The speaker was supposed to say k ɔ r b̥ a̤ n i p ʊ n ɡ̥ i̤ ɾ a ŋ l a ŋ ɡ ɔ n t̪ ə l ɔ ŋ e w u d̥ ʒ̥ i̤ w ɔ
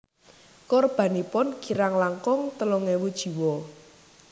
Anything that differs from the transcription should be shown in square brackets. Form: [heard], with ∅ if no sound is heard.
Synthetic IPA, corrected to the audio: k ɔ r b̥ a̤ n i p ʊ n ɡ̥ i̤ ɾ a ŋ l a ŋ [k] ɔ [ŋ] t̪ ə l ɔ ŋ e w u d̥ ʒ̥ i̤ w ɔ